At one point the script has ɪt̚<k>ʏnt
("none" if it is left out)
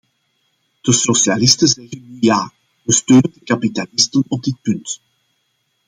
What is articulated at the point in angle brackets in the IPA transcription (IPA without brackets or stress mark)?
p